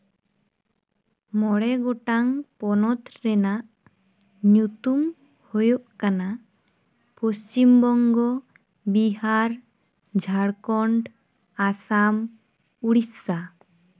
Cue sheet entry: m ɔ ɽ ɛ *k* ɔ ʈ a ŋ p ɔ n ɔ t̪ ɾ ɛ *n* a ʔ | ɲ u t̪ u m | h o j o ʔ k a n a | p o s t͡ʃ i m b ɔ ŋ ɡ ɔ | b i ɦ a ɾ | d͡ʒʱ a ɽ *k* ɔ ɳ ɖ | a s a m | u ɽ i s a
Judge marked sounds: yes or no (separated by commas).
no, yes, yes